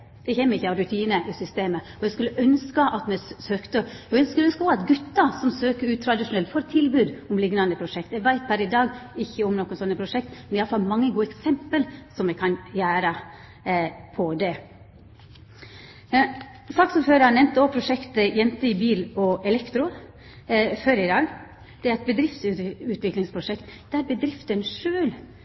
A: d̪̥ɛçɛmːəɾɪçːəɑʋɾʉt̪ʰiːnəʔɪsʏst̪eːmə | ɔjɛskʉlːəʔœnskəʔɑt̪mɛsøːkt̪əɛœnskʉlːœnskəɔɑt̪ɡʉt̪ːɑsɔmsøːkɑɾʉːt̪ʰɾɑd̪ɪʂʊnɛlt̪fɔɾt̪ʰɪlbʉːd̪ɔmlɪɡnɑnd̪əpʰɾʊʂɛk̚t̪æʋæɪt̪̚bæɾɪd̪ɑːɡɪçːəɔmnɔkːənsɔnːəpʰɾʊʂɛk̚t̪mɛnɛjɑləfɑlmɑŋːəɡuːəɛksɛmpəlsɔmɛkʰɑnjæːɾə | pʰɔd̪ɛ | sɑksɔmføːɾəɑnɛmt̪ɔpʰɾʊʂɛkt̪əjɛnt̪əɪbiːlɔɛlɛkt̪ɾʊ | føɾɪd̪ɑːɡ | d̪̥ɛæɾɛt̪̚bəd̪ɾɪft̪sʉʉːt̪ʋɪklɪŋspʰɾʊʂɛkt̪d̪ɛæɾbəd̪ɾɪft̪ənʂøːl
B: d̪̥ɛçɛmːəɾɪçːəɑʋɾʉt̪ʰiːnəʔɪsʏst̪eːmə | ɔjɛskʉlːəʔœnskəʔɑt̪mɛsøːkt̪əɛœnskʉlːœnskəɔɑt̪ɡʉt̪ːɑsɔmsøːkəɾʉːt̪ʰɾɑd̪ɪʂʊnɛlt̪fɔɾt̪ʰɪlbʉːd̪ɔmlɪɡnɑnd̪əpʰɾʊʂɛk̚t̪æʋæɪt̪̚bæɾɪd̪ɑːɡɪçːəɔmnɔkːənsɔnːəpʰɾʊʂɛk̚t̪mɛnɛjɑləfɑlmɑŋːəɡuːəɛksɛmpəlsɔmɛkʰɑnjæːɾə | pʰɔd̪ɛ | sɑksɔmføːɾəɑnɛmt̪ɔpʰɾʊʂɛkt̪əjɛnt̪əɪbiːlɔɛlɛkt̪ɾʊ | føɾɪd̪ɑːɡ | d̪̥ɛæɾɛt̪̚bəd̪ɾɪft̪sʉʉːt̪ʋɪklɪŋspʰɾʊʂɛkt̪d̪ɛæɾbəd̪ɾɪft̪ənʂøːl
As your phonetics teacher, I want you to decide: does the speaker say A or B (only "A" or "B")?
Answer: B